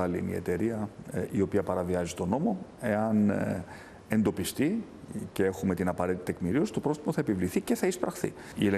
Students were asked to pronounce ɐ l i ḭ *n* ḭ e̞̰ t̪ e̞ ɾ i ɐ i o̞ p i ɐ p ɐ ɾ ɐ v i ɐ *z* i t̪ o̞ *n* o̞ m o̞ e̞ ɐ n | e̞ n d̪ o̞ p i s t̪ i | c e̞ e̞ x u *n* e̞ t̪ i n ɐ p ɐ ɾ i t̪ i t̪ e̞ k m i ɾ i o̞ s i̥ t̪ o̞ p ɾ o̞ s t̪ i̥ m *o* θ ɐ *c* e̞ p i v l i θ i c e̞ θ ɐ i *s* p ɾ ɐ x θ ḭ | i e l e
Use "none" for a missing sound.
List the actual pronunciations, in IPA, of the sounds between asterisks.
n, z, n, m, o, none, s

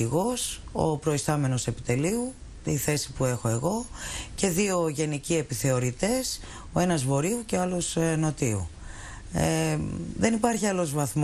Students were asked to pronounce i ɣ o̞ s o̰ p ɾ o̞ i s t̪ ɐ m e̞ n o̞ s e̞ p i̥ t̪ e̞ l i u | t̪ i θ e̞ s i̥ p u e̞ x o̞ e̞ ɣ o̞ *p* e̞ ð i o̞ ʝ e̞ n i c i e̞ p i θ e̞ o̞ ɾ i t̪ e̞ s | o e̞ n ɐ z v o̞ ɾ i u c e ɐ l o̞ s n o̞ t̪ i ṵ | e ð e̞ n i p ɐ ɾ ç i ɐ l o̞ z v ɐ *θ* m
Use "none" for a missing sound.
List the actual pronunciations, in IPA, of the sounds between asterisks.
c, θ

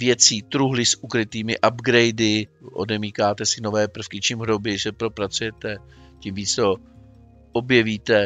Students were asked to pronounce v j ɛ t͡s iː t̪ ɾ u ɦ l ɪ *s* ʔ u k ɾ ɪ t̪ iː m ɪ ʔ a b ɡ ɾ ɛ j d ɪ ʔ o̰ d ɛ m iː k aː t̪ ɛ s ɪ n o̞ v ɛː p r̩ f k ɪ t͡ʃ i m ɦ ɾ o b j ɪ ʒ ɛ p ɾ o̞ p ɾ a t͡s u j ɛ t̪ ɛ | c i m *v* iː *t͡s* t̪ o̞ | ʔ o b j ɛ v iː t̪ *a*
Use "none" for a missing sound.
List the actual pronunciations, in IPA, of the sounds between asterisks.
s, v, t͡s, ɛ

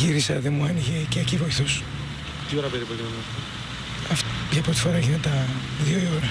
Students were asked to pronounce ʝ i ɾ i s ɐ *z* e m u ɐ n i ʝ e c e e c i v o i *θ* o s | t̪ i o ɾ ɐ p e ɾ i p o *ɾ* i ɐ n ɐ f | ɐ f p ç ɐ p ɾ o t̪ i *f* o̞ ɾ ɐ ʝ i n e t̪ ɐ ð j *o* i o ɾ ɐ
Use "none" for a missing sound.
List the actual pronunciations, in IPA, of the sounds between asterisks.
ð, θ, l, f, o

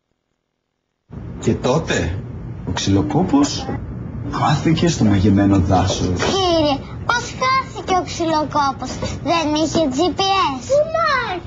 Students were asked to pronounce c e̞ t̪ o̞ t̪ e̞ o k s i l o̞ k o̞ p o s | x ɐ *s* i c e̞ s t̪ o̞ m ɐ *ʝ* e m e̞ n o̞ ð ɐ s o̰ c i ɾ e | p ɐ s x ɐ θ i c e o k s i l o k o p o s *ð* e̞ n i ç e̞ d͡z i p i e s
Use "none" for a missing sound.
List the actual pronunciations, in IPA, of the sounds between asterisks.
θ, ʝ, ð

